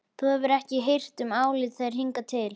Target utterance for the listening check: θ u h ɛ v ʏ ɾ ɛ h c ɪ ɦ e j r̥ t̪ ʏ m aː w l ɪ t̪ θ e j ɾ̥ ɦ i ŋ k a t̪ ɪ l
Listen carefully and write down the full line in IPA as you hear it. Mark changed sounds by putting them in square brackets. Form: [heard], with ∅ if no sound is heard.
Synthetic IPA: θ u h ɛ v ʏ ɾ ɛ h c ɪ ɦ e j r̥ t̪ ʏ m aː w l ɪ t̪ θ e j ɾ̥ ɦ i ŋ k a [t̪ʰ] ɪ l